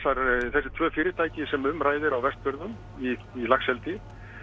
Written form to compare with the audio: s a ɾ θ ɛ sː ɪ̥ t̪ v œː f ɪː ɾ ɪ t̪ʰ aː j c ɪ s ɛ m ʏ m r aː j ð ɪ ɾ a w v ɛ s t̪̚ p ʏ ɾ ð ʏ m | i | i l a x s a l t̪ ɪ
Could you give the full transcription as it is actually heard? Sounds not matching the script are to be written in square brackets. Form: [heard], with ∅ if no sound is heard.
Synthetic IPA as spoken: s a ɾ θ ɛ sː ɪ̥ [t̪ʰ] v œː f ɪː ɾ ɪ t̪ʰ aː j c ɪ s ɛ m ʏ m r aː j ð ɪ ɾ a w v ɛ s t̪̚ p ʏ ɾ ð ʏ m | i | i l a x s [ɛ] l t̪ ɪ